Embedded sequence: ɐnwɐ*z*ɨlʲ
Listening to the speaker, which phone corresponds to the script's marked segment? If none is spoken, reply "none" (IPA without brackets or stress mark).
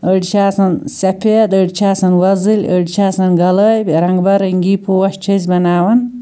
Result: z